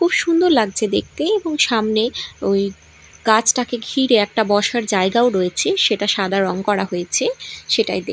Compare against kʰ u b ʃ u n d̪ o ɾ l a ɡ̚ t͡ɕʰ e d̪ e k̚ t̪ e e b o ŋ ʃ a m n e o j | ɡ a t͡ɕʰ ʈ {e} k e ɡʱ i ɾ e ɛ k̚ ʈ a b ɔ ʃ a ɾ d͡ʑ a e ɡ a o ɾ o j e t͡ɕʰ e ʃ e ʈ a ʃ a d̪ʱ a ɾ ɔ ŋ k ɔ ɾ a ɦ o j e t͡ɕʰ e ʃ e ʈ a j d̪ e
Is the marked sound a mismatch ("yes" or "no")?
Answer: yes